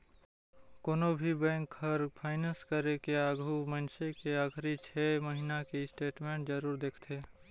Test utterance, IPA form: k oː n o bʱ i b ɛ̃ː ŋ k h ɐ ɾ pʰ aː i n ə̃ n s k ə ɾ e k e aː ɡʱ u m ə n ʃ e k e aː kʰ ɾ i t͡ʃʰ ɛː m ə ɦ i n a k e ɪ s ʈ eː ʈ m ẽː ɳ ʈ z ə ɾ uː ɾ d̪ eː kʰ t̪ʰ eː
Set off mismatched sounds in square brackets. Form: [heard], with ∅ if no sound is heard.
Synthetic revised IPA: k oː n o bʱ i b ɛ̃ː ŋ k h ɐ ɾ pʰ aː [ɪ] n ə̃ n s k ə ɾ e k e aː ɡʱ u m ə n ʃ e k e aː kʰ ɾ i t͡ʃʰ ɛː m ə ɦ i n a k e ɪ s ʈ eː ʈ m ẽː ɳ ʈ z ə ɾ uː ɾ d̪ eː kʰ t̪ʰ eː